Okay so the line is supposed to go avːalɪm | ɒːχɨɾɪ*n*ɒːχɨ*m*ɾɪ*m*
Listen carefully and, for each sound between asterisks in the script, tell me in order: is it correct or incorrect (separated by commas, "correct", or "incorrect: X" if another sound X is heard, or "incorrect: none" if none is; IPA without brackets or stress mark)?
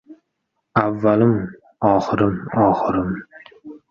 incorrect: m, incorrect: none, correct